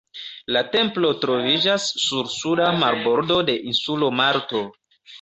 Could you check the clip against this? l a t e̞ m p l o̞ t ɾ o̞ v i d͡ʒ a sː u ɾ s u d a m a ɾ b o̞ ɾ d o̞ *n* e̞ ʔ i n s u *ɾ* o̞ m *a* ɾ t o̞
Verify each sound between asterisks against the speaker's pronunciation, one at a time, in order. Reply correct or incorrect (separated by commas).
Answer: incorrect, incorrect, correct